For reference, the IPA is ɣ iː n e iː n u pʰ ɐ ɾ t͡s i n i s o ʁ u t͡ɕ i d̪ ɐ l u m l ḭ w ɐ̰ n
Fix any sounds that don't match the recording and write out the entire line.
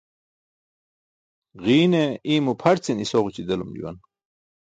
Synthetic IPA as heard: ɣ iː n e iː m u pʰ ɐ ɾ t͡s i n i s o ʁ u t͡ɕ i d̪ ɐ l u m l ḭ w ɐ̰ n